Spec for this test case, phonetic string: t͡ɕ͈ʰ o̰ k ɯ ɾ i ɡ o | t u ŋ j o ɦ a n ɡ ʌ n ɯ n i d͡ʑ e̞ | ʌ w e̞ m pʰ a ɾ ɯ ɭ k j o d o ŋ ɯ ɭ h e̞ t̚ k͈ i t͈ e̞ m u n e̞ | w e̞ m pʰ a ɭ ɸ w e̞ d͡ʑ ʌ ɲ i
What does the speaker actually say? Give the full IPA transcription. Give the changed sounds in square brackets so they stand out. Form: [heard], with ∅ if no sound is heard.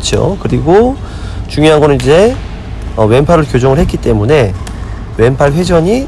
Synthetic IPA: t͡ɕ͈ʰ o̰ k ɯ ɾ i ɡ o | [t͡ɕ] u ŋ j o ɦ a n ɡ ʌ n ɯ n i d͡ʑ e̞ | ʌ w e̞ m pʰ a ɾ ɯ ɭ k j o [d͡ʑ] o ŋ ɯ ɭ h e̞ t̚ k͈ i t͈ e̞ m u n e̞ | w e̞ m pʰ a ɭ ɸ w e̞ d͡ʑ ʌ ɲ i